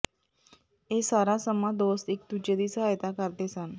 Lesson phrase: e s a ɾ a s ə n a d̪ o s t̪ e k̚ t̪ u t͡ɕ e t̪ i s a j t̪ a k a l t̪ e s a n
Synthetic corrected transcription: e s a ɾ a s ə m a d̪ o s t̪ e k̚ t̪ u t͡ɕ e d̪ i s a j t̪ a k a ɾ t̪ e s a n